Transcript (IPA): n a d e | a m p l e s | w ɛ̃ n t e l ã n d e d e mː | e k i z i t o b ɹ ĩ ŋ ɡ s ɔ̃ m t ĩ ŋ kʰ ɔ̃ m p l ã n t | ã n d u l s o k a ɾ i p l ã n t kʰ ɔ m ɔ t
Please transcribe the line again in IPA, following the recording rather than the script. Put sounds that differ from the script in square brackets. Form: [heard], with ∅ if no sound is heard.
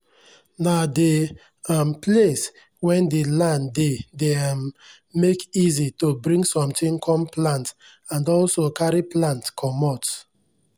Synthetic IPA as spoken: n a d e | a m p l e s | w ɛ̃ n [d] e l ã n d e d e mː | e k i z i t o b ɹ ĩ ŋ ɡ s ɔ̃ m t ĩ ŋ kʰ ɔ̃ m p l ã n t | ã n d [ɔ] l s o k a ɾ i p l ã n t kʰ ɔ m ɔ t